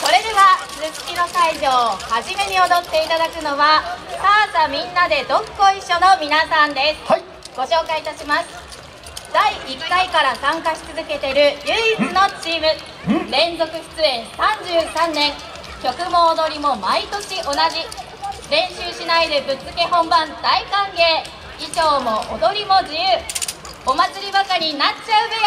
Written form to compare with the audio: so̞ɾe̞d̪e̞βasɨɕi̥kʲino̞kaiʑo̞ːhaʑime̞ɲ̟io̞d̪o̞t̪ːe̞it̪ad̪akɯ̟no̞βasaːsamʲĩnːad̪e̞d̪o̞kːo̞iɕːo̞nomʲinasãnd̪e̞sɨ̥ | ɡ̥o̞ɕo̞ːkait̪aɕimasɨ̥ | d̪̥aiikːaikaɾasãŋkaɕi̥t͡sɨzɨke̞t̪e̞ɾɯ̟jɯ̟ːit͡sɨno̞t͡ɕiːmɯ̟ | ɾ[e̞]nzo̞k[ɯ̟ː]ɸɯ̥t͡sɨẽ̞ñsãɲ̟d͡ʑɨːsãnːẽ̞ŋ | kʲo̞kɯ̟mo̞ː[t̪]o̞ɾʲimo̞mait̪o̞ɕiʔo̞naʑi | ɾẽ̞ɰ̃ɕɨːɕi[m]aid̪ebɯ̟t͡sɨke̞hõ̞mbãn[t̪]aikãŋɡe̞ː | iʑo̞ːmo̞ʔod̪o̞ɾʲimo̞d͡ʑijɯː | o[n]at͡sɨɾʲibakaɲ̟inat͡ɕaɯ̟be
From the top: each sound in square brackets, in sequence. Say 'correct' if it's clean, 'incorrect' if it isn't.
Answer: incorrect, incorrect, incorrect, incorrect, incorrect, incorrect

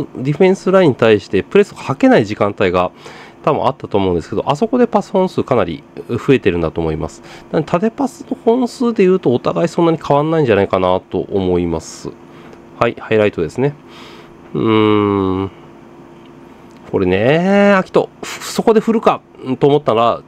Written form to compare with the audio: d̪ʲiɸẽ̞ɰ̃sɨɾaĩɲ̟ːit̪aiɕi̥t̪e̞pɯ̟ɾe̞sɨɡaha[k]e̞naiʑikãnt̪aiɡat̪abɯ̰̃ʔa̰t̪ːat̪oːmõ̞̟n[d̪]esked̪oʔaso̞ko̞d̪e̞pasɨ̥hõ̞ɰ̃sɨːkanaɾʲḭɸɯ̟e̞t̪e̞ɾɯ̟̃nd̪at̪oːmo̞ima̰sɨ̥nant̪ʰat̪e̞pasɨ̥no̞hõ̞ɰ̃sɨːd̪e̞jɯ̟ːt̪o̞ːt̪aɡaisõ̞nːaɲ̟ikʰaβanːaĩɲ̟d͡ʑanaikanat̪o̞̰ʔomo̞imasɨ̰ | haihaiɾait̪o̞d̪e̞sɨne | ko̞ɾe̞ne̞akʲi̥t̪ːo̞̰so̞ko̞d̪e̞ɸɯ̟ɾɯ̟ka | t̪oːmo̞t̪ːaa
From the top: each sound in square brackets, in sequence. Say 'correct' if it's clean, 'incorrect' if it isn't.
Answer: correct, correct

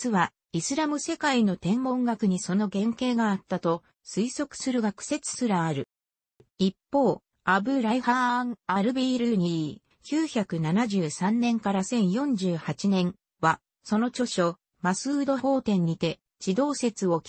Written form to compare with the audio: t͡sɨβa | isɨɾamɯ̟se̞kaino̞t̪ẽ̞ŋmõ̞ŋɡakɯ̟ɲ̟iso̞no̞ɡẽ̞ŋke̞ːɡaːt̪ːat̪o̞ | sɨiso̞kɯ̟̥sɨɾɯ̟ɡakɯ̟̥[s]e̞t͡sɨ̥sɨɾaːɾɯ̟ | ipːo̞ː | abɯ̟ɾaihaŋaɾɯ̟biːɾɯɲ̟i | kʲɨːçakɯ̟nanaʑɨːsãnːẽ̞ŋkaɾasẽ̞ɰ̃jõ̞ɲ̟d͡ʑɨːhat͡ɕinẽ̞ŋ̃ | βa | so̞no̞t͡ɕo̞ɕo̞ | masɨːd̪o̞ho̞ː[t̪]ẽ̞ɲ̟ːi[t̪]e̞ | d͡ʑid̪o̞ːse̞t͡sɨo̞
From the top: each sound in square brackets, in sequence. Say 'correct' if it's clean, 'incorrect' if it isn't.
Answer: correct, correct, correct

